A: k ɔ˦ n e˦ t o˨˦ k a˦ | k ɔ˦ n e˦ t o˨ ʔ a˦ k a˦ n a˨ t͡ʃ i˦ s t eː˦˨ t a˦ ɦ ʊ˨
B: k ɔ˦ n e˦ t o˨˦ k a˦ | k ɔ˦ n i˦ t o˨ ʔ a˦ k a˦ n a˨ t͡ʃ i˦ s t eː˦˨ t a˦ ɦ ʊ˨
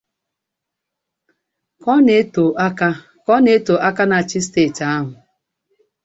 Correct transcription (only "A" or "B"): A